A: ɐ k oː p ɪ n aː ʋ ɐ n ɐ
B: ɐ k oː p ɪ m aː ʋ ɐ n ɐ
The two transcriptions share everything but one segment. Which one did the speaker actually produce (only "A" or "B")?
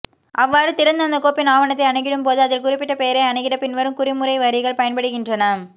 A